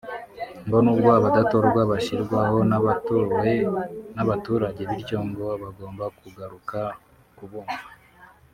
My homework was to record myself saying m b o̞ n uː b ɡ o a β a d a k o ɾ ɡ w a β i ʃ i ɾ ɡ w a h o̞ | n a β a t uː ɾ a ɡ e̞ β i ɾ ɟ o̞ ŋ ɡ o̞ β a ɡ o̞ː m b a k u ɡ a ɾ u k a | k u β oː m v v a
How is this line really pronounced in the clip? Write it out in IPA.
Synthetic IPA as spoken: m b o̞ n uː b ɡ o a β a d a t o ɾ ɡ w a β a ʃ i ɾ ɡ w a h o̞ | n a β a t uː ɾ a ɟ e̞ β i ɾ ɟ o̞ ŋ ɡ o̞ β a ɡ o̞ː m b a k u ɡ a ɾ u k a | k u β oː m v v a